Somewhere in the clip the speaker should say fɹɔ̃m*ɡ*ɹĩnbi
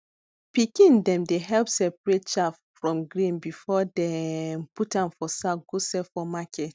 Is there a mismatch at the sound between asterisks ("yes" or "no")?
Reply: no